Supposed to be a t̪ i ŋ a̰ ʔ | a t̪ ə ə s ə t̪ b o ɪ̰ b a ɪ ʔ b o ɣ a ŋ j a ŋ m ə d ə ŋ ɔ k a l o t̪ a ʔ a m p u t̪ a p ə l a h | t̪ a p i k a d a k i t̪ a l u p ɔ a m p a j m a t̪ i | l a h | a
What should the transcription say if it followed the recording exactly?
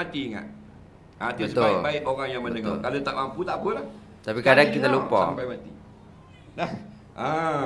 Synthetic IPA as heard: a t̪ i ŋ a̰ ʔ | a t̪ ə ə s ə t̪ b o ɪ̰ b a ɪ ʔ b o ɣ a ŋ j a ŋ m ə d ə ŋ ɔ k a l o t̪ a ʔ a m p u t̪ a p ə l a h | t̪ a p i k a d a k i t̪ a l u p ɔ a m p a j m a t̪ i | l a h | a

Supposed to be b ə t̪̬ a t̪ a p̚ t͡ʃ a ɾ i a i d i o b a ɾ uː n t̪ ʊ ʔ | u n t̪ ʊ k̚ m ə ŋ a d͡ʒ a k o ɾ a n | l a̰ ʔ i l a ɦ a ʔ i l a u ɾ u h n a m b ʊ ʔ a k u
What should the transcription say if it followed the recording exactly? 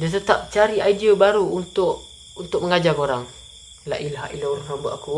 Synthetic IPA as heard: d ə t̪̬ ə t̪ a p̚ t͡ʃ a ɾ i a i d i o b a ɾ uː n t̪ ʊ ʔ | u n t̪ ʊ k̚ m ə ŋ a d͡ʒ a k o ɾ a ŋ | l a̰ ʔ i l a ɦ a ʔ i l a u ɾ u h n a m b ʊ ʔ a k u

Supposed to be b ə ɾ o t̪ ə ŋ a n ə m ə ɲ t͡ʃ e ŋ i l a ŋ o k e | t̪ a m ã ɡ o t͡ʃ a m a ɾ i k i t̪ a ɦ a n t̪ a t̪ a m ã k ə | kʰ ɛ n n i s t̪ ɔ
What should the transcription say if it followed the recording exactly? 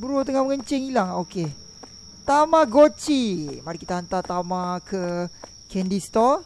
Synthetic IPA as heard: b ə ɾ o t̪ ə ŋ a m ə ŋ ə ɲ t͡ʃ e ŋ i l a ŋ o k e | t̪ a m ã ɡ o t͡ʃ i m a ɾ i k i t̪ a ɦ a n t̪ a t̪ a m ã k ə | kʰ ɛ n d i s t̪ ɔ

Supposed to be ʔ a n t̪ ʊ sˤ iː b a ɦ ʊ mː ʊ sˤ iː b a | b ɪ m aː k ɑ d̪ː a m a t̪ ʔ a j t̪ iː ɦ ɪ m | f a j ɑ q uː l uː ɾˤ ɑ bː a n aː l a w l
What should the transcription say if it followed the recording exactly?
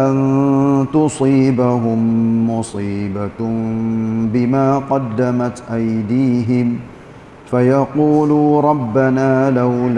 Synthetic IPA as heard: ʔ a n t̪ ʊ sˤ iː b a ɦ ʊ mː ʊ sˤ iː b a | b ɪ m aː q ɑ d̪ː a m a t̪ ʔ a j d̪ iː ɦ ɪ m | f a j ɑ q uː l uː ɾˤ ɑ bː a n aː l a w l

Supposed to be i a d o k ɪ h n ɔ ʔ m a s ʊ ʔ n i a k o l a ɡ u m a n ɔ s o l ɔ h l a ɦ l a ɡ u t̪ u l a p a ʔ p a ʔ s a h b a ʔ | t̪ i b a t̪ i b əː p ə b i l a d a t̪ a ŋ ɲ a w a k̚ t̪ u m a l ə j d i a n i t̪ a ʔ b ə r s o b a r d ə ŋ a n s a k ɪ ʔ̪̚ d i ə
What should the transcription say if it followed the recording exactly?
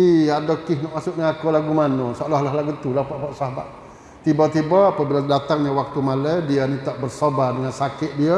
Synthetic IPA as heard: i a d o k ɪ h n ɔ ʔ m a s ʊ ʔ n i a k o l a ɡ u m a n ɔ s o l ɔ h l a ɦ l a ɡ u t̪ u l a p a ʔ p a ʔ s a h b a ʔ | t̪ i b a t̪ i b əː p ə b i l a d a t̪ a ŋ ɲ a w a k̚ t̪ u m a l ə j d i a n i t̪ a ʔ b ə r s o b a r d ə ŋ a n s a k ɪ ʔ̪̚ d i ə

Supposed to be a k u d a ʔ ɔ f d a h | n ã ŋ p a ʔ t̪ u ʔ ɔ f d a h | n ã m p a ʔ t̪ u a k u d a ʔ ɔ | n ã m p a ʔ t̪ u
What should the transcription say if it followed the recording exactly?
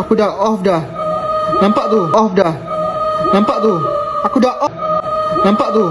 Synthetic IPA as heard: a k u d a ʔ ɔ f d a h | n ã m p a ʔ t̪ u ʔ ɔ f d a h | n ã m p a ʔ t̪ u a k u d a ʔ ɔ | n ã m p a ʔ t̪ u

